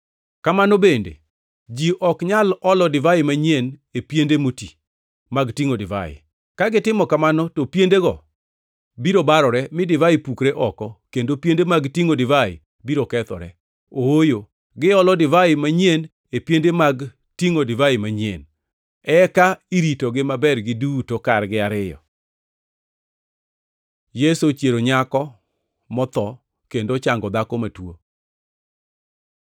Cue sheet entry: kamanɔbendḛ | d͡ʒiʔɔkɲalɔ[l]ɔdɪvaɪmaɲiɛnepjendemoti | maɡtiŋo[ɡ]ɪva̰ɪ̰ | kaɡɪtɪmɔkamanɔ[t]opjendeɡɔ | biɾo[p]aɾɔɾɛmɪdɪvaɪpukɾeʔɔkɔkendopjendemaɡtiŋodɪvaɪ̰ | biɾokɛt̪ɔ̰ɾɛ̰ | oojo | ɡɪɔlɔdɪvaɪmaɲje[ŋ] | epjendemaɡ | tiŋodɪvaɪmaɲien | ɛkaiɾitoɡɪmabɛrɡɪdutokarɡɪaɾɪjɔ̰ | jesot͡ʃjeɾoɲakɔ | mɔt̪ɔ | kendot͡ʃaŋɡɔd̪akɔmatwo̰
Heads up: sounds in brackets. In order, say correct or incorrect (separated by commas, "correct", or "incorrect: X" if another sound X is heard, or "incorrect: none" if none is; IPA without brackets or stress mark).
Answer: correct, incorrect: d, correct, incorrect: b, incorrect: n